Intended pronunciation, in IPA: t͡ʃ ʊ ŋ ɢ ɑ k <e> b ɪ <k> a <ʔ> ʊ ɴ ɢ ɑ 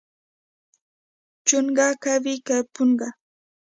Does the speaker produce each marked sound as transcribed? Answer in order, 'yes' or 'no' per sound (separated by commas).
no, yes, no